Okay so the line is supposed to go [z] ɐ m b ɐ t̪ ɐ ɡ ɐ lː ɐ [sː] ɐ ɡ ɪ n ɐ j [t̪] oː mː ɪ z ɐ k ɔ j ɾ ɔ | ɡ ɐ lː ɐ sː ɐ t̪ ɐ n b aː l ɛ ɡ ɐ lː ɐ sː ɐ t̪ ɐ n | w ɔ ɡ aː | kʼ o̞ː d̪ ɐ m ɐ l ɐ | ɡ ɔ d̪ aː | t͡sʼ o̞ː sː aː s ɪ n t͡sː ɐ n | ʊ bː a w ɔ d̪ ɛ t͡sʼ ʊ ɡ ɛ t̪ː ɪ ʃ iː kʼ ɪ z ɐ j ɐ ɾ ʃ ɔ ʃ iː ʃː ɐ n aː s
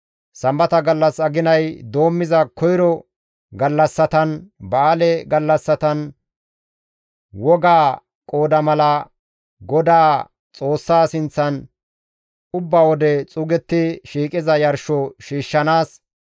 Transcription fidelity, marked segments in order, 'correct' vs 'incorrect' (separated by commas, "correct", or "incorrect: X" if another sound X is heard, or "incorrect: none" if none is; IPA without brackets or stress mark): incorrect: s, incorrect: s, incorrect: d̪